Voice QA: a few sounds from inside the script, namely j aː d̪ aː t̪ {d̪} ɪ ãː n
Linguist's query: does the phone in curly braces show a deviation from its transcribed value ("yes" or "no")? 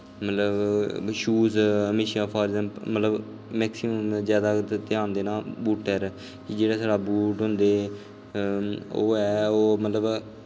yes